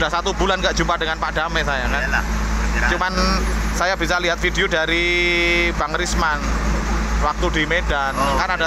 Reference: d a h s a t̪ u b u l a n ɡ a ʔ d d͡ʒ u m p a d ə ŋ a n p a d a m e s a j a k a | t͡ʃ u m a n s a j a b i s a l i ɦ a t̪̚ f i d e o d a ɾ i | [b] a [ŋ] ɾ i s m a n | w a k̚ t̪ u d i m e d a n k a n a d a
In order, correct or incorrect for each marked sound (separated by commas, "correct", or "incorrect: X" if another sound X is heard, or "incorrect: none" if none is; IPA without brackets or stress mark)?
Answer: correct, correct